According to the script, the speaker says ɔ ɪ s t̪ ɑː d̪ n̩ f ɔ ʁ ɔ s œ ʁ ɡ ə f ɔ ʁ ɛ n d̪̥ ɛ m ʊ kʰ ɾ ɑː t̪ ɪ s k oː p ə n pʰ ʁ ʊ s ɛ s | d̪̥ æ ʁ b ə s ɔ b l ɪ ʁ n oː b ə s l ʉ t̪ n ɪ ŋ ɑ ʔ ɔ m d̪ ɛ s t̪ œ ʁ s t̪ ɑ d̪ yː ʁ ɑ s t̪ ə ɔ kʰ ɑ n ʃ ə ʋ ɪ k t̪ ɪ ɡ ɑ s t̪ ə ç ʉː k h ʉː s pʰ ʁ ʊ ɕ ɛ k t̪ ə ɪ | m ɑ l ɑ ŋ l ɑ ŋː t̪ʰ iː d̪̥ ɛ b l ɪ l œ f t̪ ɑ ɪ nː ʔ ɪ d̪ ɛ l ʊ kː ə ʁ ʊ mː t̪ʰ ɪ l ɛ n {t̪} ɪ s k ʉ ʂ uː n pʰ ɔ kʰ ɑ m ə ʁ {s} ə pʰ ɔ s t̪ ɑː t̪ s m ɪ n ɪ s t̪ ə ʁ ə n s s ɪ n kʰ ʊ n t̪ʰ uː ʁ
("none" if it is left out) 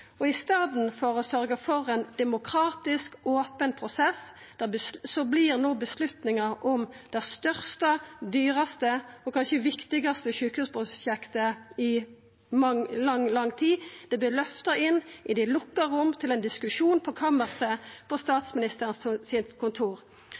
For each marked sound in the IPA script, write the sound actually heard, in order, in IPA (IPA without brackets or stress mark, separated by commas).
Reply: d̪, s